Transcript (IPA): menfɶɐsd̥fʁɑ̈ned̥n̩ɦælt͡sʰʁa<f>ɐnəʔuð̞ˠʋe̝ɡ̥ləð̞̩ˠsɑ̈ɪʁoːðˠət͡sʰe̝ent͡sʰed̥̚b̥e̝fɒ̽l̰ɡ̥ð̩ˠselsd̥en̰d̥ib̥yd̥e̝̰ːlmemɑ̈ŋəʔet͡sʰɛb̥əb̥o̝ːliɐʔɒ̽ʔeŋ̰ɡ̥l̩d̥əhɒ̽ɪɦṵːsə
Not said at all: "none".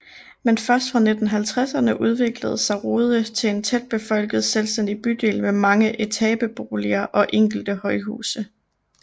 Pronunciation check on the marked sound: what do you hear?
s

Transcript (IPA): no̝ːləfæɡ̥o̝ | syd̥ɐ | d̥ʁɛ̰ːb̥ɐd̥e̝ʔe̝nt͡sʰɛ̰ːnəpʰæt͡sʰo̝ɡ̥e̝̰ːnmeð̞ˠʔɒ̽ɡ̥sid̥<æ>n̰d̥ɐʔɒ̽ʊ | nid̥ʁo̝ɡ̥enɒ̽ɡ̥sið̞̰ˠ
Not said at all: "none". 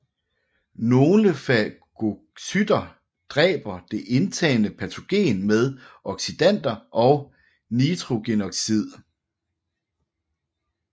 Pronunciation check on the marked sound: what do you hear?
æ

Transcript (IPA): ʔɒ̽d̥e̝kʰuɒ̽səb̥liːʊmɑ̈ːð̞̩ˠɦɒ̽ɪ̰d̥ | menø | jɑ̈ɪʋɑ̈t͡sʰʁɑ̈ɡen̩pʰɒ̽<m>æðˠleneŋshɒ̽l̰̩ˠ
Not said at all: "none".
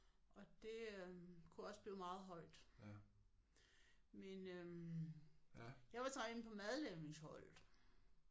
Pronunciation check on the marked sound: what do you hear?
m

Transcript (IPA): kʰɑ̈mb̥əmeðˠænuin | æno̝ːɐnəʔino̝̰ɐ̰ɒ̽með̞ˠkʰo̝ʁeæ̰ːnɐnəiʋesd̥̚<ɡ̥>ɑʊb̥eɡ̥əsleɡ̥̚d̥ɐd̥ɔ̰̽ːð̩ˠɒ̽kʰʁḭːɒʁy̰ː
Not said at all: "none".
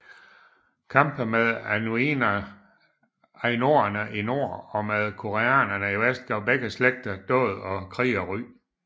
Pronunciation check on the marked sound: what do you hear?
ɡ̥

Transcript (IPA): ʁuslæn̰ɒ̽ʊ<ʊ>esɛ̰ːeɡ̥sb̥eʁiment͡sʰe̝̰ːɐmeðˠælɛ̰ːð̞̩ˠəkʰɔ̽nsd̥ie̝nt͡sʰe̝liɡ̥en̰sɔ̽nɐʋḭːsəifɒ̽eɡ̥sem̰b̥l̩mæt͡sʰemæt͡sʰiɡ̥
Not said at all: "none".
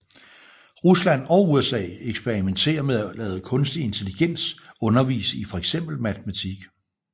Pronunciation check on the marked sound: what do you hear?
u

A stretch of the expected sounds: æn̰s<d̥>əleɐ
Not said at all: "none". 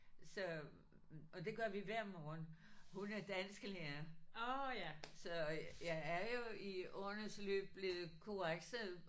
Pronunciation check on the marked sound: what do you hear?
ɡ̥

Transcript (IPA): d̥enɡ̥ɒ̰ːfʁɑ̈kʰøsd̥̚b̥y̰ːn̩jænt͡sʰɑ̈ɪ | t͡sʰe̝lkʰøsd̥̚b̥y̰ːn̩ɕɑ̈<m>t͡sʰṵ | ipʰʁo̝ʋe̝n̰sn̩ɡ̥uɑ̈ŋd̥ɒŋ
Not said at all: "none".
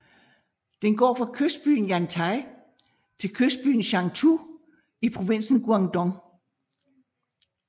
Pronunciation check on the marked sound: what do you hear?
ŋ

